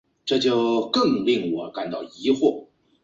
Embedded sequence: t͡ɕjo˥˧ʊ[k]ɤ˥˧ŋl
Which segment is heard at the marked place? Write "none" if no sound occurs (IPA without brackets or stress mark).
k